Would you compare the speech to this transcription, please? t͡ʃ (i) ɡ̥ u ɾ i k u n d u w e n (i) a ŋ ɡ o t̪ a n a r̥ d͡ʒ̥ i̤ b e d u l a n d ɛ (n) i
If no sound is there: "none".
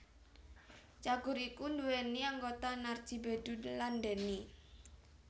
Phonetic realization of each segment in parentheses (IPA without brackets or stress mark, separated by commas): a, i, n